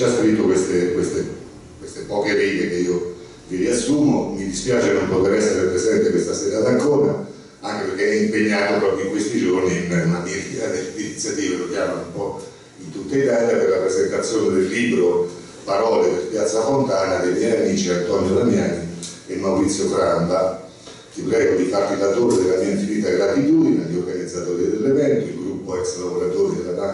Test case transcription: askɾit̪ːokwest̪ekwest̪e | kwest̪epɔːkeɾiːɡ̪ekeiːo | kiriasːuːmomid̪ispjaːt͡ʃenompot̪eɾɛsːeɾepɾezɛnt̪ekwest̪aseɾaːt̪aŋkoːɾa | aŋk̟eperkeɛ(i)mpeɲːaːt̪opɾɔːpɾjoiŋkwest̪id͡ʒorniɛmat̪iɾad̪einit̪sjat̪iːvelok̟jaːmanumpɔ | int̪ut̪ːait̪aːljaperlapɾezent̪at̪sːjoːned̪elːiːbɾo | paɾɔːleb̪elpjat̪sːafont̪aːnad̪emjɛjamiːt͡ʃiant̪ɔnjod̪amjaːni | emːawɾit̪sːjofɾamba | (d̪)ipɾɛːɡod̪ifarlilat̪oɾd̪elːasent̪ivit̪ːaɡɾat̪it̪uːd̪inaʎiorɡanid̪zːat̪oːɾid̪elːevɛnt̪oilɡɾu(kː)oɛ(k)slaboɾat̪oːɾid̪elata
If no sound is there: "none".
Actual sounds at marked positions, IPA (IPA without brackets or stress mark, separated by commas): i, t̪, pː, k